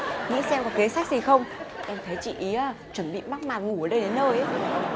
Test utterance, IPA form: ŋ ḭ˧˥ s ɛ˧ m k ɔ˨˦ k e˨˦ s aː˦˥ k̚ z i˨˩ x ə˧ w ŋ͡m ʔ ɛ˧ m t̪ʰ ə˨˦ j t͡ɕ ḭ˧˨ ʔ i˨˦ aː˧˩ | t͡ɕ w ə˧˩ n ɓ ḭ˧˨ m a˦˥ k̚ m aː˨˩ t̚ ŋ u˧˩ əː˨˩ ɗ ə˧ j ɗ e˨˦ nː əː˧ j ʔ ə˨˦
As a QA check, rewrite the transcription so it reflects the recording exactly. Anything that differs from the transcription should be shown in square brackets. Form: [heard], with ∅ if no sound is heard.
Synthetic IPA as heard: ŋ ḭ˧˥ s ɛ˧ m k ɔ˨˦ k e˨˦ s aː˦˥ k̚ z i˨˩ x ə˧ w ŋ͡m ʔ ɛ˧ m t̪ʰ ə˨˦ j t͡ɕ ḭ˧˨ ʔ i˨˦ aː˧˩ | t͡ɕ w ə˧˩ n ɓ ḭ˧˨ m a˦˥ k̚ m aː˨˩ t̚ ŋ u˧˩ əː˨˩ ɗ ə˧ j ɗ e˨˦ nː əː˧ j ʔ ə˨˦

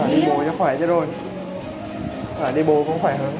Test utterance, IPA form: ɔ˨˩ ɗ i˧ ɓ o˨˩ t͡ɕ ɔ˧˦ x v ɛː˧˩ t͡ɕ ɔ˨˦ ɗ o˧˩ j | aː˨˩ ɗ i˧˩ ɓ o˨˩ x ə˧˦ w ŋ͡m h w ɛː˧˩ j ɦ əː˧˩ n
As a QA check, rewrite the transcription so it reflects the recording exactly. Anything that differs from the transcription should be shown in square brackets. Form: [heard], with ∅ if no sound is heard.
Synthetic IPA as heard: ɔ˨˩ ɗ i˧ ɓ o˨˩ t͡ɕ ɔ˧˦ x [w] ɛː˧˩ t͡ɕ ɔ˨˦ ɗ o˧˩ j | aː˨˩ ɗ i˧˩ ɓ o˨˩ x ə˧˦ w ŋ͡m [x] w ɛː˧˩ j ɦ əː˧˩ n

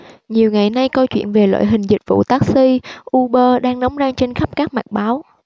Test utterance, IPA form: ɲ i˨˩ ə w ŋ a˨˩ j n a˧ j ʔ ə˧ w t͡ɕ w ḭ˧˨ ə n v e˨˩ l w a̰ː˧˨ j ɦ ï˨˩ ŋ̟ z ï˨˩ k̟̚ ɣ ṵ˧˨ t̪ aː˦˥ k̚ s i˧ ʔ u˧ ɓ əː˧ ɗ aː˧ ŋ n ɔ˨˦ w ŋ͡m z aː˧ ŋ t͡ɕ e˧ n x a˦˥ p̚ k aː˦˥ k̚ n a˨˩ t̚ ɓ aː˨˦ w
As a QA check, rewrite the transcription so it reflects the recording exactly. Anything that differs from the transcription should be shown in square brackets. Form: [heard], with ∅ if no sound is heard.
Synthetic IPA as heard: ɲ i˨˩ ə w ŋ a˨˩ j n a˧ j [k] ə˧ w t͡ɕ w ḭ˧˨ ə n v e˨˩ l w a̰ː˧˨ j ɦ ï˨˩ ŋ̟ z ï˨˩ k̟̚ [v] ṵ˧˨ t̪ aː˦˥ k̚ s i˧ ʔ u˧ ɓ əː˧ ɗ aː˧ ŋ n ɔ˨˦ w ŋ͡m z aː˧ ŋ t͡ɕ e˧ n x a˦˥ p̚ k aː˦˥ k̚ [m] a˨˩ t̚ ɓ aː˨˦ w

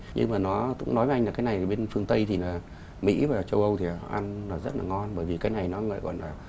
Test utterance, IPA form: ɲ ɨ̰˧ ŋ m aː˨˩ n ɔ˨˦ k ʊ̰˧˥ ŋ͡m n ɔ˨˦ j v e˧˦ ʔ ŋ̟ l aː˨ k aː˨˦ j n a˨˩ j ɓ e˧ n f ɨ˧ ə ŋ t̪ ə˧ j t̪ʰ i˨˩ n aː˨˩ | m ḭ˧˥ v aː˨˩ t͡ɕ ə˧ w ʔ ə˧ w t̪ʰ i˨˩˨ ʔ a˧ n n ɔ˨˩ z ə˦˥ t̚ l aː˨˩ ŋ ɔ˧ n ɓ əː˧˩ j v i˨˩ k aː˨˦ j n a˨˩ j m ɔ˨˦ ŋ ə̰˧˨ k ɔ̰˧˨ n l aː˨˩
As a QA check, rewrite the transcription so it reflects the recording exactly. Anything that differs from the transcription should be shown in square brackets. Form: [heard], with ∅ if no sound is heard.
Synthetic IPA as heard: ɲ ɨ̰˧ ŋ m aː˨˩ n ɔ˨˦ k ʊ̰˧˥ ŋ͡m n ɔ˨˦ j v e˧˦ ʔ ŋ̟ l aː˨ k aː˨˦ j n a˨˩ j ɓ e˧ n f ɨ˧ ə ŋ t̪ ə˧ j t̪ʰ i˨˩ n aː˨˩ | m ḭ˧˥ v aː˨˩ t͡ɕ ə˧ w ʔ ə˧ w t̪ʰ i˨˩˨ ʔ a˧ n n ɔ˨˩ z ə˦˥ t̚ l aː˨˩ ŋ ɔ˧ n ɓ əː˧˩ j v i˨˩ k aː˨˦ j n a˨˩ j [n] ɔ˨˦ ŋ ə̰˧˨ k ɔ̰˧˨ n l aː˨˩

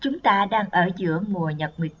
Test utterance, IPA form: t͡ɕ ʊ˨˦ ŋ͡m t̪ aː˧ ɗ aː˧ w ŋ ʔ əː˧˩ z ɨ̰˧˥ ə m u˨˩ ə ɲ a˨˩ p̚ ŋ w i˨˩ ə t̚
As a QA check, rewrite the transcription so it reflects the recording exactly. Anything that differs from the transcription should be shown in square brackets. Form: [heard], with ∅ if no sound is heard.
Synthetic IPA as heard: t͡ɕ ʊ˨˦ ŋ͡m t̪ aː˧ ɗ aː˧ [∅] ŋ ʔ əː˧˩ z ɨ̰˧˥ ə m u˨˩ ə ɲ [ə˨˩] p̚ ŋ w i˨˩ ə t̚

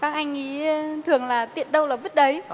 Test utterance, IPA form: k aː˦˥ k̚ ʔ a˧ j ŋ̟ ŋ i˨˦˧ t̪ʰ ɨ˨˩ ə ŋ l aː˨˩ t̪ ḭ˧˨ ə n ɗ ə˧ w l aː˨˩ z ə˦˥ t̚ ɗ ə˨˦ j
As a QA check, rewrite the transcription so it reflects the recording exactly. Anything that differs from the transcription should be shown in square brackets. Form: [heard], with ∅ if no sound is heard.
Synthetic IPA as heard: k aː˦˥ k̚ ʔ a˧ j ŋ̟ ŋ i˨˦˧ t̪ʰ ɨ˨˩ ə ŋ l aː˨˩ t̪ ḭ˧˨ ə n ɗ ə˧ w l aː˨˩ [v] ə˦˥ t̚ ɗ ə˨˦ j

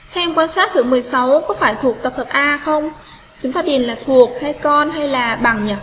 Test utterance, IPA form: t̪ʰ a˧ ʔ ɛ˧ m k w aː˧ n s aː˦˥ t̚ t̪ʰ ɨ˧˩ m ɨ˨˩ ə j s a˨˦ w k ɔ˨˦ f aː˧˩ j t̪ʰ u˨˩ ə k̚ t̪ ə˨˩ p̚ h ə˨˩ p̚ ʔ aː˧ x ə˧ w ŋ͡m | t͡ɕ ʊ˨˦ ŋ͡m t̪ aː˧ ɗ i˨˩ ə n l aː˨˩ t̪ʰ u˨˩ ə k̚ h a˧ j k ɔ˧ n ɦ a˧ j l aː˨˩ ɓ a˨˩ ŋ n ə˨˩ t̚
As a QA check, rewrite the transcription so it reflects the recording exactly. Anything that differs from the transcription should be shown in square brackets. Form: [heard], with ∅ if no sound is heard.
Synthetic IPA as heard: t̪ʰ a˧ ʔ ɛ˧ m k w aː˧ n s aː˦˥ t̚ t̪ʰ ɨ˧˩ m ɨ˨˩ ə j s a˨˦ w k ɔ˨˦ f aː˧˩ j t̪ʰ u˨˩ ə k̚ t̪ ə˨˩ p̚ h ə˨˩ p̚ ʔ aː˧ x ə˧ w ŋ͡m | t͡ɕ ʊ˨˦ ŋ͡m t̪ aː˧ ɗ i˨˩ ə n l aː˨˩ t̪ʰ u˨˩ ə k̚ h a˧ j k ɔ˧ n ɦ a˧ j l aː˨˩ ɓ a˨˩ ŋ [ɲ] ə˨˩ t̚

